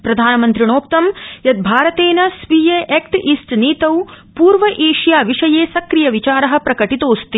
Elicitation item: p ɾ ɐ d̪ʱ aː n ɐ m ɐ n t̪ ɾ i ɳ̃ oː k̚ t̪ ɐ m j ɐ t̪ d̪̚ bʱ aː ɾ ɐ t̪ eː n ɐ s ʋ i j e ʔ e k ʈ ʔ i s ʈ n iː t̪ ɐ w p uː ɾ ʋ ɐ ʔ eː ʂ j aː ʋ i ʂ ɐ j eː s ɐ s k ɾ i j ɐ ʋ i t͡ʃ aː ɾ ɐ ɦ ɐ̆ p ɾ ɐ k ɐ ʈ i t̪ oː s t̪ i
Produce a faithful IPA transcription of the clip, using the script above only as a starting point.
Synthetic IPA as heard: p ɾ ɐ d̪ʱ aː n ɐ m ɐ n t̪ ɾ i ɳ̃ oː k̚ t̪ ɐ m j ɐ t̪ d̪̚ bʱ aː ɾ ɐ t̪ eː n ɐ s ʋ i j e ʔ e k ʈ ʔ i s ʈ n iː t̪ ɐ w p uː ɾ ʋ ɐ ʔ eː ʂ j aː ʋ i ʂ ɐ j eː s ɐ k ɾ i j ɐ ʋ i t͡ʃ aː ɾ ɐ ɦ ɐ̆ p ɾ ɐ k ɐ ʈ i t̪ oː s t̪ i